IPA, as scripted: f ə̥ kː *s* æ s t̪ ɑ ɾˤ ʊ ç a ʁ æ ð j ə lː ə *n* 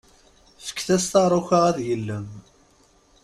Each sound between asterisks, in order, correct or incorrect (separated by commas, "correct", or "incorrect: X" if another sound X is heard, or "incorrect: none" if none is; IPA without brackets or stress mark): incorrect: θ, incorrect: m